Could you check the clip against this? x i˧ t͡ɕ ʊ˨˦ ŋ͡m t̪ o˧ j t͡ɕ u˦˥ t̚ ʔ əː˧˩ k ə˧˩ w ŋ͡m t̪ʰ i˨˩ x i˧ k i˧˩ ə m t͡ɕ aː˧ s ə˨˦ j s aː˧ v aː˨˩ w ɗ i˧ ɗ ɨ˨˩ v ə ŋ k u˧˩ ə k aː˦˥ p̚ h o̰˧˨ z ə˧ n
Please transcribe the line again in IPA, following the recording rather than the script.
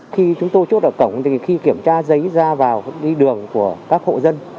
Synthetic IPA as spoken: x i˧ t͡ɕ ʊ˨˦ ŋ͡m t̪ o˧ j t͡ɕ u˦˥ t̚ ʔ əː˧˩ k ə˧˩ w ŋ͡m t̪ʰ i˨˩ x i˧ k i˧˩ ə m t͡ɕ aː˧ z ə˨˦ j z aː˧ v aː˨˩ w ɗ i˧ ɗ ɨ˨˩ ə ŋ k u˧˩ ə k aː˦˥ k̚ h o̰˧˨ z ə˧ n

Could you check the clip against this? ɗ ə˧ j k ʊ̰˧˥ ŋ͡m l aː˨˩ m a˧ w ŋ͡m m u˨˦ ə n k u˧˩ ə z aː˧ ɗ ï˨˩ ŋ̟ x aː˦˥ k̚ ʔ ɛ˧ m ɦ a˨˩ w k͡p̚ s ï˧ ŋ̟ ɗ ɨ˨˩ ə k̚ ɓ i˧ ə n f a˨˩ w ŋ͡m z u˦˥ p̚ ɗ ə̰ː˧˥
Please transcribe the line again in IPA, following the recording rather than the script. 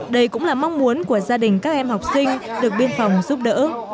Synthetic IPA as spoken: ɗ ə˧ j k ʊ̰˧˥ ŋ͡m l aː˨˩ m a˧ w ŋ͡m m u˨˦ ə n k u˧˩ ə z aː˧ ɗ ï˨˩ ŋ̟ k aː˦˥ k̚ ʔ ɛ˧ m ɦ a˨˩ w k͡p̚ s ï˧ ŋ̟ ɗ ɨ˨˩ ə k̚ ɓ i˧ ə n f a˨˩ w ŋ͡m z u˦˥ p̚ ɗ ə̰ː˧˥

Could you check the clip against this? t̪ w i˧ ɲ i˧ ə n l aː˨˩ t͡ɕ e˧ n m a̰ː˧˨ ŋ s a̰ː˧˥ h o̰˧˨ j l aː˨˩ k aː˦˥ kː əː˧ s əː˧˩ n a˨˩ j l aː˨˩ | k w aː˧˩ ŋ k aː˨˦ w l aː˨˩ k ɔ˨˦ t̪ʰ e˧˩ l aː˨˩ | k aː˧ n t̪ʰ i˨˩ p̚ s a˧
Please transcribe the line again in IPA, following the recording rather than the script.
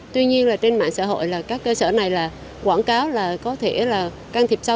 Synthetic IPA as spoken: t̪ w i˧ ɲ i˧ ə n l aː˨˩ t͡ɕ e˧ n m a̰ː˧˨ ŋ s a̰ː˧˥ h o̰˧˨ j l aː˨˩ k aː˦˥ kː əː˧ s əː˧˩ n a˨˩ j l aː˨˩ | k w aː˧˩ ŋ k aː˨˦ w l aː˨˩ k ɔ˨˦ t̪ʰ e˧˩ l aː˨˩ | k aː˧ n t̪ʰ i˨˩ p̚ s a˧

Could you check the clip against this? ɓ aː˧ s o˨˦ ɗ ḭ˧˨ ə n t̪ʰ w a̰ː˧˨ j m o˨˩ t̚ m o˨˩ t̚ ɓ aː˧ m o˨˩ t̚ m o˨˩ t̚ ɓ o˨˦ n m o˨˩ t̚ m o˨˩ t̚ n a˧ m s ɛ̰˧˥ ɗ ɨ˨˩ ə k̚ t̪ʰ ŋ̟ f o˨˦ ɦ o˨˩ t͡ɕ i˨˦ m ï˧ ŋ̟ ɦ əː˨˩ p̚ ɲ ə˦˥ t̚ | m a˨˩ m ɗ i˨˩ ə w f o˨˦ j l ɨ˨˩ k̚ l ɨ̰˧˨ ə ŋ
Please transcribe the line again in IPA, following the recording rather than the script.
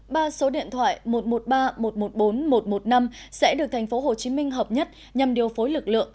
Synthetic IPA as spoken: ɓ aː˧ s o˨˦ ɗ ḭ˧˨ ə n t̪ʰ w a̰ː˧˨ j m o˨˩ t̚ m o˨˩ t̚ ɓ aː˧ m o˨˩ t̚ m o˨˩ t̚ ɓ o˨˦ n m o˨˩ t̚ m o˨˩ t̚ n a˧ m s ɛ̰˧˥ ɗ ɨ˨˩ ə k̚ t̪ʰ ŋ̟ f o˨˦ ɦ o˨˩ t͡ɕ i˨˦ m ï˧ ŋ̟ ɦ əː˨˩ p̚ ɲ ə˦˥ t̚ | ɲ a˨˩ m ɗ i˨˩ ə w f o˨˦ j l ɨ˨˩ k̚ l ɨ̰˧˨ ə ŋ

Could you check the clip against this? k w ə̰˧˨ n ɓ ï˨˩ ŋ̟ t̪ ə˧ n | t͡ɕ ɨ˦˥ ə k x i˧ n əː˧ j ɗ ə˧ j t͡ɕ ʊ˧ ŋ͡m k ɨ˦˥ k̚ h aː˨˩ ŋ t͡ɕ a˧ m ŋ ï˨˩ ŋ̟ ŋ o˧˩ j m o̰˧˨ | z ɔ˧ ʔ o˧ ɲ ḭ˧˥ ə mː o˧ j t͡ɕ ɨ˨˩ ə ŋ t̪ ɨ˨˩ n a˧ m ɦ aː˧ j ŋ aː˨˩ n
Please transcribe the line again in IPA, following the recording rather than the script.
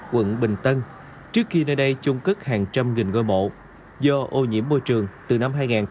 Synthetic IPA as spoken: k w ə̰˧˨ n ɓ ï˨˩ ŋ̟ t̪ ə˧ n | t͡ɕ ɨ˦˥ ə k x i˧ n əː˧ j ɗ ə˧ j t͡ɕ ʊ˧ ŋ͡m k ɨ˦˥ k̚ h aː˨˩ ŋ t͡ɕ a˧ m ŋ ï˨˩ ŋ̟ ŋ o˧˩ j m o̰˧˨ | z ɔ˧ ʔ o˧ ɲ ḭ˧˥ ə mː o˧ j t͡ɕ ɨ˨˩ ə ŋ t̪ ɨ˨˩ n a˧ m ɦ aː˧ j ŋ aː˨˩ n

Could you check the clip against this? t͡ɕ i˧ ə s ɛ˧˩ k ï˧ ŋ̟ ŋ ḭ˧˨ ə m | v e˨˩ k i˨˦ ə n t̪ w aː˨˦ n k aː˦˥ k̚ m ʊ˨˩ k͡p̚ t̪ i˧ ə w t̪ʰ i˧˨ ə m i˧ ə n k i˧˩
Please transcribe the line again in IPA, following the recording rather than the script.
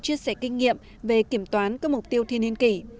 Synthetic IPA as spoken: t͡ɕ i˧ ə s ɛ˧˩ k ï˧ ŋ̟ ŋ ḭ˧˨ ə m | v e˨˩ k i˧˩ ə m t̪ w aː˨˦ n k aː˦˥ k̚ m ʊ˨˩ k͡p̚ t̪ i˧ ə w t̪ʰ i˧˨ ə n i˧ ə n k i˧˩

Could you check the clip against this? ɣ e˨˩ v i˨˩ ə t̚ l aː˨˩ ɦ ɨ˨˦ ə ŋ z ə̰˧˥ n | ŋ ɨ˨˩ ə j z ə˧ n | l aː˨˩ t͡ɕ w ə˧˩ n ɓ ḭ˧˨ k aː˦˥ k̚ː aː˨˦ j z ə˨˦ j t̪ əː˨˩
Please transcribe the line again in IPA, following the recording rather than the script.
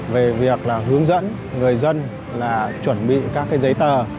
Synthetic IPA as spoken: v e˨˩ v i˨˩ ə k̚ l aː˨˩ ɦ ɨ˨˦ ə ŋ z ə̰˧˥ n | ŋ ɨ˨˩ ə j z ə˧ n | l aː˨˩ t͡ɕ w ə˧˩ n ɓ ḭ˧˨ k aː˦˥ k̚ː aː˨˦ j z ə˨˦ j t̪ əː˨˩

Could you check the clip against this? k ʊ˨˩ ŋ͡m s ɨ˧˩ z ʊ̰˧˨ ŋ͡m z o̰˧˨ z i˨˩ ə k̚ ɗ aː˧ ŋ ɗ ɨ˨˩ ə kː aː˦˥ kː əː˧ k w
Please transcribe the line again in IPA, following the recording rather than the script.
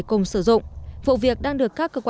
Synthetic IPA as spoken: k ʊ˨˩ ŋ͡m s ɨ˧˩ z ʊ̰˧˨ ŋ͡m v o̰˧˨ v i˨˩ ə k̚ ɗ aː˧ ŋ ɗ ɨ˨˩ ə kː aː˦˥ kː əː˧ k w

